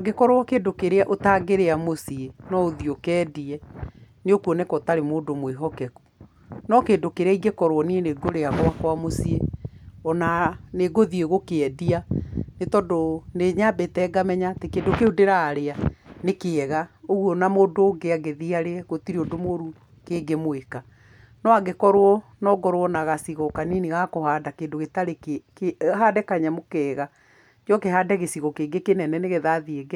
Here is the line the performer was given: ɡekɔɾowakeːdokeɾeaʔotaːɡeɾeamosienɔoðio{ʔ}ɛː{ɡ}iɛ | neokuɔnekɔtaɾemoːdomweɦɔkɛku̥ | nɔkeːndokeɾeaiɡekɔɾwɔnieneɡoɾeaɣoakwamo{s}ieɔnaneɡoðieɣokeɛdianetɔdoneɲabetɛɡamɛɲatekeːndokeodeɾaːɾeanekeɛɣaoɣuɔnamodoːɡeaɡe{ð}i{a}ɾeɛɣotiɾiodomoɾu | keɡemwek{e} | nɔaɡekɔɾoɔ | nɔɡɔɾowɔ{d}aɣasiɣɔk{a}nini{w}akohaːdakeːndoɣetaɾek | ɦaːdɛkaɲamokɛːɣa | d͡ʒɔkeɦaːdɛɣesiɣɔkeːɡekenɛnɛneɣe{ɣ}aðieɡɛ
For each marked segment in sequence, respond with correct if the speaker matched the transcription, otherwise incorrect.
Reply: incorrect, incorrect, correct, correct, correct, incorrect, incorrect, correct, incorrect, incorrect

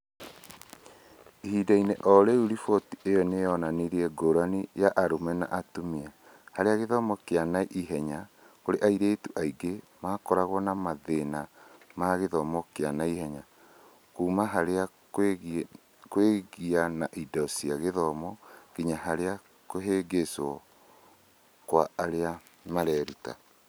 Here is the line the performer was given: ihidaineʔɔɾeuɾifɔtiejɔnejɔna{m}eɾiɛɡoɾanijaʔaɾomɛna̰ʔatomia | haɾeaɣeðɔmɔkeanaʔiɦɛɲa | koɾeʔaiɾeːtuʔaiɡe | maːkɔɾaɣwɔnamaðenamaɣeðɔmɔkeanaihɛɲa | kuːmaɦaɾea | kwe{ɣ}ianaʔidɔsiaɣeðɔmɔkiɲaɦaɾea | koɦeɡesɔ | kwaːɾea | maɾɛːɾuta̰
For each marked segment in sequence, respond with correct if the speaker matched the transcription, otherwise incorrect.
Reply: incorrect, correct

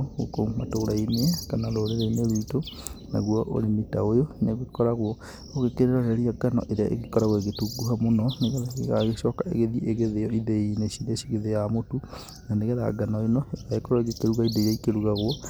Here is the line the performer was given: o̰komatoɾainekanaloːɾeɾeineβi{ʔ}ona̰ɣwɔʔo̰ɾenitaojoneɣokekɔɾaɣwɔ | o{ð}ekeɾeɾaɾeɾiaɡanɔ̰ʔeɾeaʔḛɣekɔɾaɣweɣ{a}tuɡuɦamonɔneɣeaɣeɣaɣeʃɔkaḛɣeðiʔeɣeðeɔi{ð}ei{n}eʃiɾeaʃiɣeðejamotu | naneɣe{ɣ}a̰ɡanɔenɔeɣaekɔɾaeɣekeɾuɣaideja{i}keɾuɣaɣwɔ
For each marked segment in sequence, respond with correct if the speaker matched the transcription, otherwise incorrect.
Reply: incorrect, incorrect, incorrect, correct, correct, incorrect, correct

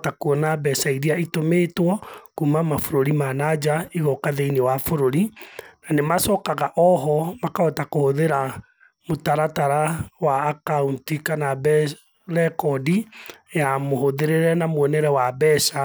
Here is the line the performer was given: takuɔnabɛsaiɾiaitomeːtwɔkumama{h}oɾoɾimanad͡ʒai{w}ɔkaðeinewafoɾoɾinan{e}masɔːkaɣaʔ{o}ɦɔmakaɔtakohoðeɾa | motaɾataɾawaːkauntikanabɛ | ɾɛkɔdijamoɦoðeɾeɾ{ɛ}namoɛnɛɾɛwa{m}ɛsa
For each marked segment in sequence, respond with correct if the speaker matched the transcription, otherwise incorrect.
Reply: incorrect, incorrect, correct, incorrect, correct, incorrect

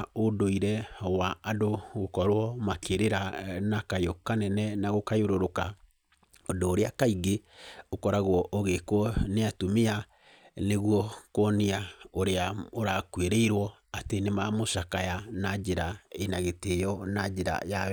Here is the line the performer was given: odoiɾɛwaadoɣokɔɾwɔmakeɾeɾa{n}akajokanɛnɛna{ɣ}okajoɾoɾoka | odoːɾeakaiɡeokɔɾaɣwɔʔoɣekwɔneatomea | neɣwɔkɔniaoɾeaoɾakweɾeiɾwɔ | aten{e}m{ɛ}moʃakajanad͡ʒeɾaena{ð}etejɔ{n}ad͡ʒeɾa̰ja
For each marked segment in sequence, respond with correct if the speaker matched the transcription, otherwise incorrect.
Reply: correct, correct, correct, incorrect, incorrect, correct

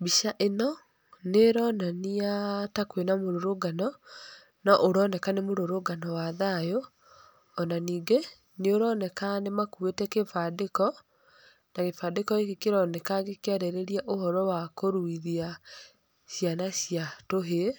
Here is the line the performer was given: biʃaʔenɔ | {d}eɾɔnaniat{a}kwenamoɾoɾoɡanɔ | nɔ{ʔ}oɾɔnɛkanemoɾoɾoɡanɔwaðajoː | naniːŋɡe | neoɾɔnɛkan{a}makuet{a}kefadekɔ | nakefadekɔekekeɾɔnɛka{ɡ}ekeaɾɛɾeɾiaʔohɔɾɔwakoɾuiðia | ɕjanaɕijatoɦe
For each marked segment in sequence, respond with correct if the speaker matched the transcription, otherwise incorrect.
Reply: incorrect, correct, correct, incorrect, incorrect, correct

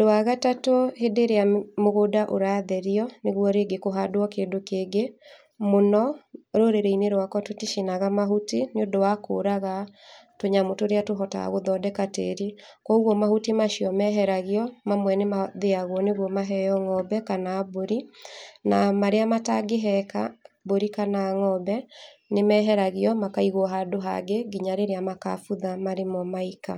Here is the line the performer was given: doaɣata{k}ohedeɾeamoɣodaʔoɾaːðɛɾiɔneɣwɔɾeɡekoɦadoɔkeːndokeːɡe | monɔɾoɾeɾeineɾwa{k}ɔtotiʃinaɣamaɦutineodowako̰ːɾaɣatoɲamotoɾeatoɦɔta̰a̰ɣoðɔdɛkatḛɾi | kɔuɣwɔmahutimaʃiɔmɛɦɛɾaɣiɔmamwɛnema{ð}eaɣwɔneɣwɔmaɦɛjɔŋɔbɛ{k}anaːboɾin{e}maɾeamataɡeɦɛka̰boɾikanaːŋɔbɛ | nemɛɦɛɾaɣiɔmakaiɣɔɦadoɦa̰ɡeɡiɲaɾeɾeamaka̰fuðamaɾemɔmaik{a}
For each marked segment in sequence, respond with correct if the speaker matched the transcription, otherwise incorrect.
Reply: incorrect, correct, correct, correct, incorrect, correct

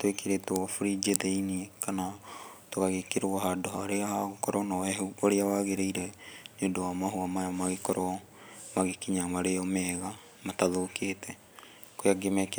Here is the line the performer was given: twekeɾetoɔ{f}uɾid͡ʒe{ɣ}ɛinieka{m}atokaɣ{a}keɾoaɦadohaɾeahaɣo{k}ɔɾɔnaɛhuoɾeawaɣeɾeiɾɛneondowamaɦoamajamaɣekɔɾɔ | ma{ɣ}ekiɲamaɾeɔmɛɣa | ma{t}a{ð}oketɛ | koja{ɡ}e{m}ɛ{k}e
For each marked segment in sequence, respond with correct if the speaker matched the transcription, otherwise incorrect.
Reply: correct, incorrect, incorrect, incorrect, correct, correct, correct, correct, correct, correct, correct

